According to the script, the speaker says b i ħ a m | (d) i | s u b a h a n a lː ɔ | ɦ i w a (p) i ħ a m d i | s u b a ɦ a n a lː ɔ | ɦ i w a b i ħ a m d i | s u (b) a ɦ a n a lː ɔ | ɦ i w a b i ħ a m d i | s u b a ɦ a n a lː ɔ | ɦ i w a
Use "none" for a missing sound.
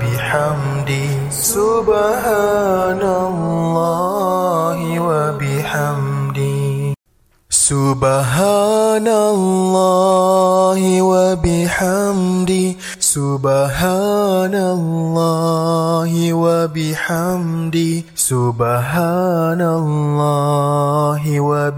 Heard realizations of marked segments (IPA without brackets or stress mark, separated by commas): d, b, b